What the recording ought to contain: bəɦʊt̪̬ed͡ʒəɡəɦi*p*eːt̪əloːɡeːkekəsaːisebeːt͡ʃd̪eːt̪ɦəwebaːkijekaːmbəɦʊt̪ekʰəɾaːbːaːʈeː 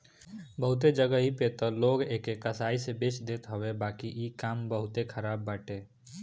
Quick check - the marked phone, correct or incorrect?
correct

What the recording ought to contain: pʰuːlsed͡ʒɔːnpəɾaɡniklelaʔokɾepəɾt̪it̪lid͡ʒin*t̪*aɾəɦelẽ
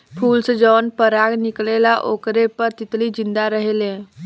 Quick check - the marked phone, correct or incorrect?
incorrect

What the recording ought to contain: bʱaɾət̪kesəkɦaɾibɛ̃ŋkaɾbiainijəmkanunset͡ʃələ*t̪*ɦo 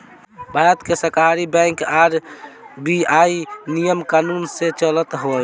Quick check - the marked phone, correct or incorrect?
correct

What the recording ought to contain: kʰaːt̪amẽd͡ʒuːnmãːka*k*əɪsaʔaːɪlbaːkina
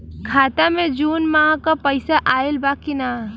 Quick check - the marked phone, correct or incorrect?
incorrect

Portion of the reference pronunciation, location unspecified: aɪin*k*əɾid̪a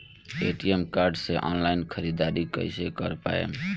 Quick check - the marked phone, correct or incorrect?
incorrect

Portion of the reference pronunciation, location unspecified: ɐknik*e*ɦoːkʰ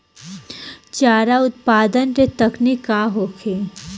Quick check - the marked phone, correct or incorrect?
incorrect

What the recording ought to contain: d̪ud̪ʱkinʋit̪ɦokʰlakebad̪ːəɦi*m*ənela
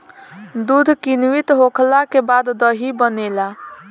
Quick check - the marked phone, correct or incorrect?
incorrect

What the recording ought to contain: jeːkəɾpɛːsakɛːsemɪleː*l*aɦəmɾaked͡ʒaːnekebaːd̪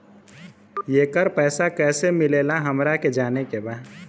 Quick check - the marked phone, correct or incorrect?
correct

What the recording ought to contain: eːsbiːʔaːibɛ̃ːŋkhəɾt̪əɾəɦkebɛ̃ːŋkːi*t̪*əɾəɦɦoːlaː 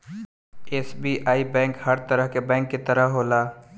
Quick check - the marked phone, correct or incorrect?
correct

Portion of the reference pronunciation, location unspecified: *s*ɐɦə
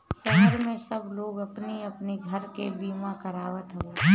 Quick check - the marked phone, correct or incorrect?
correct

